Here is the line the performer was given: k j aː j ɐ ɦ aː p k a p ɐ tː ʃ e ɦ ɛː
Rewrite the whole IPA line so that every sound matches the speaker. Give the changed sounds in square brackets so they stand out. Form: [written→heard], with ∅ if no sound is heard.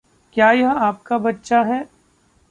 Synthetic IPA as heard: k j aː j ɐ ɦ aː p k a [p→b] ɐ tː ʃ [e→a] ɦ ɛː